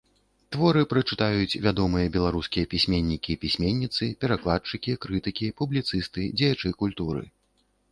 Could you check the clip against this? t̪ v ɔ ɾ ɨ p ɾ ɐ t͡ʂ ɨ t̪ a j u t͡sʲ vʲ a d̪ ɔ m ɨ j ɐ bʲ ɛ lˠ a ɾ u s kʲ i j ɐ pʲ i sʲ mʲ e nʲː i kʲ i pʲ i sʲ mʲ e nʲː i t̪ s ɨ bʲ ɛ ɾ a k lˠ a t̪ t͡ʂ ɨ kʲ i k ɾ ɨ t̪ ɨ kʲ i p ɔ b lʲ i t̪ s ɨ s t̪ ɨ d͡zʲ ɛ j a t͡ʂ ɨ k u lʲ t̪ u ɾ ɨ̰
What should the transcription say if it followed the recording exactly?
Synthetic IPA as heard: t̪ v ɔ ɾ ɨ p ɾ ɐ t͡ʂ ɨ t̪ a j u t͡sʲ vʲ a d̪ ɔ m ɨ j ɐ bʲ ɛ lˠ a ɾ u s kʲ i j ɐ pʲ i sʲ mʲ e nʲː i kʲ i pʲ i sʲ mʲ e nʲː i t̪ s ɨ pʲ ɛ ɾ a k lˠ a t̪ t͡ʂ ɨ kʲ i k ɾ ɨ t̪ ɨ kʲ i p u b lʲ i t̪ s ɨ s t̪ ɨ d͡zʲ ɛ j a t͡ʂ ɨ k u lʲ t̪ u ɾ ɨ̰